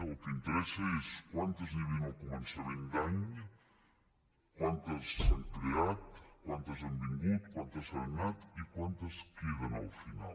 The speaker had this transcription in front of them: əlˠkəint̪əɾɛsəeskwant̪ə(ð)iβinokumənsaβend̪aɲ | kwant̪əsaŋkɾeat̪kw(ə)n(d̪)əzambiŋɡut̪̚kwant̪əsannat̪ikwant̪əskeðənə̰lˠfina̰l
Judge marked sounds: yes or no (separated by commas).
no, no, no